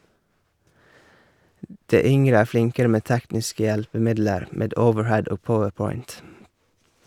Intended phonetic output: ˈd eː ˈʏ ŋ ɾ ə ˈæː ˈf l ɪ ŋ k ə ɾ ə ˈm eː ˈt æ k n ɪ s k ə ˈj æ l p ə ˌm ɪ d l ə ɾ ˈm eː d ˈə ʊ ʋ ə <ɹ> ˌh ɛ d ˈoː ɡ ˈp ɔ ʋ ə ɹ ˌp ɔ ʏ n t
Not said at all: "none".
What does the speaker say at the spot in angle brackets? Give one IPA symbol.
ɹ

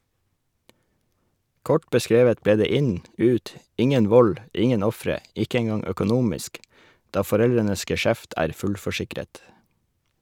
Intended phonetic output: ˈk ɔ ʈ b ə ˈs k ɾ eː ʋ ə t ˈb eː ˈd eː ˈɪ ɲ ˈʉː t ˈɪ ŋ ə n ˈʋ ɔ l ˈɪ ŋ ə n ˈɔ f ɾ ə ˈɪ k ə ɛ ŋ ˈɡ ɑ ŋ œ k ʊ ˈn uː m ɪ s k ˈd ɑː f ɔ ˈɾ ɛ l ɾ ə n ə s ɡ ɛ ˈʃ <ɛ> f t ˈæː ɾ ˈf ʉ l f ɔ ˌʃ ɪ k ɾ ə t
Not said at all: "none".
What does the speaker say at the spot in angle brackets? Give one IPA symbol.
æ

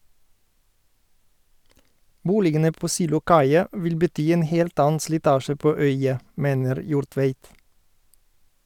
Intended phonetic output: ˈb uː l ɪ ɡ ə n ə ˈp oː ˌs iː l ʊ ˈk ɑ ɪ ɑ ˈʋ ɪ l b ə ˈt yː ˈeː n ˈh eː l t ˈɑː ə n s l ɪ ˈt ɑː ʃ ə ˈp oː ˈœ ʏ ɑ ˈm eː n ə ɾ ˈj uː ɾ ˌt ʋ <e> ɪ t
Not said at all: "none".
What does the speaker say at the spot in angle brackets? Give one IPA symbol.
e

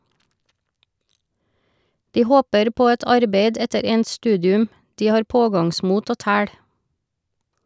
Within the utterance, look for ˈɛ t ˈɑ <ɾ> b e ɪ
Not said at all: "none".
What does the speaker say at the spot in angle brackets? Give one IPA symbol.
ɾ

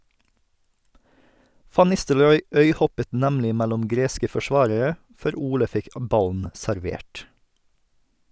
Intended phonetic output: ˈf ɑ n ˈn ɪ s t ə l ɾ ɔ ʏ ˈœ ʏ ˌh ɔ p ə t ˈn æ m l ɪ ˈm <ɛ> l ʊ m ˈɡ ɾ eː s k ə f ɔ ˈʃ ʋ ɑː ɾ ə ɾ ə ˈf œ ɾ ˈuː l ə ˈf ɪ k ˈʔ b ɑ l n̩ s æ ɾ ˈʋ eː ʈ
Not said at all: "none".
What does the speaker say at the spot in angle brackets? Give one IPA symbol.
æ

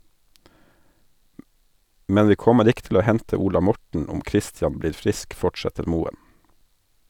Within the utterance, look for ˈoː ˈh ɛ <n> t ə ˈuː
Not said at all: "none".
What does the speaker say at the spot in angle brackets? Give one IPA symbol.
n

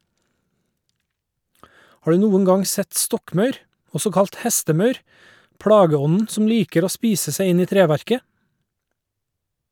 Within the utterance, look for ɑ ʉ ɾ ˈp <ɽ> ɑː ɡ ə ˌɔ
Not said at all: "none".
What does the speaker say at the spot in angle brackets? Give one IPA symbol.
ɽ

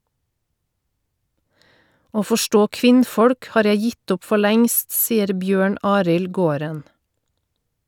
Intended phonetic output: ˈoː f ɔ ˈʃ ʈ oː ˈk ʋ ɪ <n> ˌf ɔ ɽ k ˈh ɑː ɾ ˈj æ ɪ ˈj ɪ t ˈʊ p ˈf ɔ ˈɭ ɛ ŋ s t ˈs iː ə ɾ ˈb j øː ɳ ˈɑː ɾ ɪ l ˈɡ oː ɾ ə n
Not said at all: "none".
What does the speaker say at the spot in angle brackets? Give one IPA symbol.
n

